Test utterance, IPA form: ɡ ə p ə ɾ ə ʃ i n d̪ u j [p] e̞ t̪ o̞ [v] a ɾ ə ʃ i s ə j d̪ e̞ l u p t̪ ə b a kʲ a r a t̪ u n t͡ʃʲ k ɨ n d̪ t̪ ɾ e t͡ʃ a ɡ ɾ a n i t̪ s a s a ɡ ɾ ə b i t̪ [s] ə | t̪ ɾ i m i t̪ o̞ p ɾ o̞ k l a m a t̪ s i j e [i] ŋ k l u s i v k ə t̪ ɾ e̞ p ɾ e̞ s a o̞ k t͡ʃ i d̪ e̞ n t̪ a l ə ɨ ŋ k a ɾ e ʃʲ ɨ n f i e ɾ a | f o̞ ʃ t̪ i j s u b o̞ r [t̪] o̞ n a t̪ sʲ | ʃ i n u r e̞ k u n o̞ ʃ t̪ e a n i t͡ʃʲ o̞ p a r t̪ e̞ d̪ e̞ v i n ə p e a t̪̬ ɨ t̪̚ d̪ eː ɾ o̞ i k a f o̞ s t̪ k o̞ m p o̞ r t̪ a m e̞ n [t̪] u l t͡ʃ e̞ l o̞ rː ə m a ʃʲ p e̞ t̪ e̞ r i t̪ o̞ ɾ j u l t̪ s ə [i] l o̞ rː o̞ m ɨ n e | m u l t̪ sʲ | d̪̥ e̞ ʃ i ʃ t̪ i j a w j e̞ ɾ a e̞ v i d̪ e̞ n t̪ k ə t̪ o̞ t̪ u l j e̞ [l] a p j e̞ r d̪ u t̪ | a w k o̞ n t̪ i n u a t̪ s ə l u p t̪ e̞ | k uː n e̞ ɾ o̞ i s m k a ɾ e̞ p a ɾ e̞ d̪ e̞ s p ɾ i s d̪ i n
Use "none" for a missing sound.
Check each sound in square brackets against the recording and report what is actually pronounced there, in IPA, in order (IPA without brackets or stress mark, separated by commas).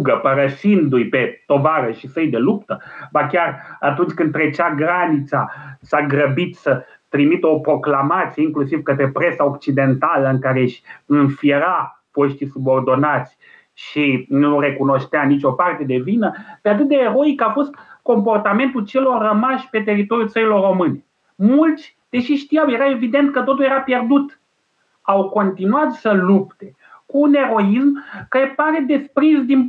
p, v, s, i, d̪, t̪, i, ɾ